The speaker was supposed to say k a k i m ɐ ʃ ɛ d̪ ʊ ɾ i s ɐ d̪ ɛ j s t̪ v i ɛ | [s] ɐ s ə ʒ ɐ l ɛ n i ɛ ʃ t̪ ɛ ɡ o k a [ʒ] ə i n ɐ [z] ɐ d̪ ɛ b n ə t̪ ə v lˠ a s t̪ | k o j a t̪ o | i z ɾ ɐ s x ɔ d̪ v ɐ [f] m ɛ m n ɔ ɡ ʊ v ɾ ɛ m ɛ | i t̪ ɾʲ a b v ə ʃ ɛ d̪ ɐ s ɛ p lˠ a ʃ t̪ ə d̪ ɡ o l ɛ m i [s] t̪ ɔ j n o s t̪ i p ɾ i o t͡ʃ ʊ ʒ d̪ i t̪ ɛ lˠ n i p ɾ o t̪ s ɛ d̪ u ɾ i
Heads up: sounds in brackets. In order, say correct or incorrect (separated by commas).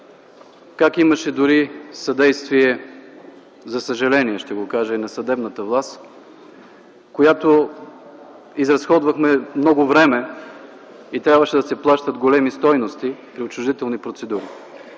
incorrect, correct, incorrect, incorrect, correct